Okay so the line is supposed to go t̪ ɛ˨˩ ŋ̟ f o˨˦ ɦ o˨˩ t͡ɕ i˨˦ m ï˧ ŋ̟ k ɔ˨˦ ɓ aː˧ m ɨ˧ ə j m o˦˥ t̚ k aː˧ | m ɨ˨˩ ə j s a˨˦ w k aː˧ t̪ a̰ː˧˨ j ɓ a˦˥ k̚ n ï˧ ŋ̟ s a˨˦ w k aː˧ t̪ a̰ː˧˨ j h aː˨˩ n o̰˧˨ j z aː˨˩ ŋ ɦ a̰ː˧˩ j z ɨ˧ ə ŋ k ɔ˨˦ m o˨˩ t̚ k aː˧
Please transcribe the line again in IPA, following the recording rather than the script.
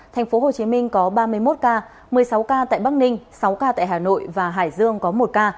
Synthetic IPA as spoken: t̪ʰ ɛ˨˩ ŋ̟ f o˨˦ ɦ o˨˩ t͡ɕ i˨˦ m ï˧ ŋ̟ k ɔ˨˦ ɓ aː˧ m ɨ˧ ə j m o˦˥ t̚ k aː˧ | m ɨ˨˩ ə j s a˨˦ w k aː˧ t̪ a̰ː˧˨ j ɓ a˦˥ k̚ n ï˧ ŋ̟ s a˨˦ w k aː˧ t̪ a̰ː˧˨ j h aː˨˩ n o̰˧˨ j v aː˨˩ ɦ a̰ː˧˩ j z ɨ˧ ə ŋ k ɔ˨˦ m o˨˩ t̚ k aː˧